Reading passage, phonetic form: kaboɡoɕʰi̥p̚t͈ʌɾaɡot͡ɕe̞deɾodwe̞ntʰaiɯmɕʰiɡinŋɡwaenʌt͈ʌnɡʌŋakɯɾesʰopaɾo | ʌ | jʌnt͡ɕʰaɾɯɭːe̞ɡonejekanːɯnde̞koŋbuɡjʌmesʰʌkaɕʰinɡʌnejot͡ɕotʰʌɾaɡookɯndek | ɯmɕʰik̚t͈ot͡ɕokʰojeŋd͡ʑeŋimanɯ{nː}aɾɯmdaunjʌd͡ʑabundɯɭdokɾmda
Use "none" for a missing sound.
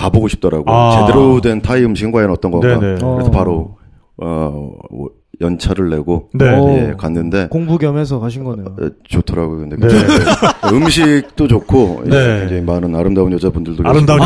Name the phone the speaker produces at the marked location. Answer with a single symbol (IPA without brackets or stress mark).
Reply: n